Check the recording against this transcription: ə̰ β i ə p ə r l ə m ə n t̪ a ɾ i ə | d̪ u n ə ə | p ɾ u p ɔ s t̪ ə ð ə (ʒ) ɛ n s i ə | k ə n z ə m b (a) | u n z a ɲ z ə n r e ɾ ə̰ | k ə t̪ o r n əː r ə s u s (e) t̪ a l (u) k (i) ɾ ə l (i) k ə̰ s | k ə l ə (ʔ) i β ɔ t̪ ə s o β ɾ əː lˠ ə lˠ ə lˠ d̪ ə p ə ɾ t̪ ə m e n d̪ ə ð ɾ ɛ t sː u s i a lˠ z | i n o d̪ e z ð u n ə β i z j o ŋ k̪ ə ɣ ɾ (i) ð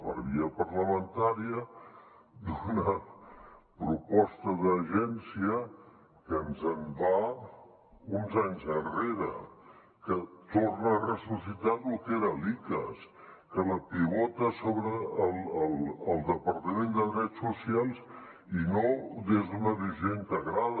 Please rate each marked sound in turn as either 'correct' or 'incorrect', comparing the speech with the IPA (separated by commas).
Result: correct, correct, incorrect, correct, incorrect, correct, incorrect, incorrect